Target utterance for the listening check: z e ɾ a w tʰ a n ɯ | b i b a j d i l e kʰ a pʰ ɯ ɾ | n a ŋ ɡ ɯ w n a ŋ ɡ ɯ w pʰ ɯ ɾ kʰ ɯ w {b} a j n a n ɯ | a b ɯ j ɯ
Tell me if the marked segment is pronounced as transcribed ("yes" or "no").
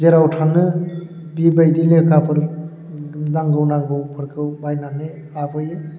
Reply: yes